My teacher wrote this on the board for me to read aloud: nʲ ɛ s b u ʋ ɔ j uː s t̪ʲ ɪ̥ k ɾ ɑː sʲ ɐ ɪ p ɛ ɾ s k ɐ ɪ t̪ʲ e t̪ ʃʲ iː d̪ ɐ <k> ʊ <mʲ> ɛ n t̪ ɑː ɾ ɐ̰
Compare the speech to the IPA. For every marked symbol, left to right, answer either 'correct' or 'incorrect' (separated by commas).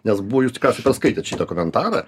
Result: correct, correct